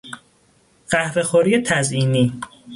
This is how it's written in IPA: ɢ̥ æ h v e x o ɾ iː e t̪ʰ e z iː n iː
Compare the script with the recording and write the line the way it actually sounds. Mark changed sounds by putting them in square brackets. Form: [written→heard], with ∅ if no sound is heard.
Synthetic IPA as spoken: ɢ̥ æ h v e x o ɾ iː e t̪ʰ [e→æ] z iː n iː